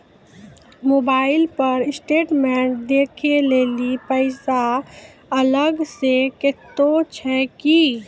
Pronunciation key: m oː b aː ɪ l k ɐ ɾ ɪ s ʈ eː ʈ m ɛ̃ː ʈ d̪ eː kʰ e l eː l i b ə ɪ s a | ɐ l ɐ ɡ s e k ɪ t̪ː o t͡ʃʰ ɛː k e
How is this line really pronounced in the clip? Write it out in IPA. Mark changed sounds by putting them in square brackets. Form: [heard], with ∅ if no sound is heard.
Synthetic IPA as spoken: m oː b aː ɪ l [p] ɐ ɾ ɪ s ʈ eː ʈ m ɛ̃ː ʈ d̪ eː kʰ e l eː l i [p] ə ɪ s a | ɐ l [ə] ɡ s e k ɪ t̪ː o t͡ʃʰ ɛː k [i]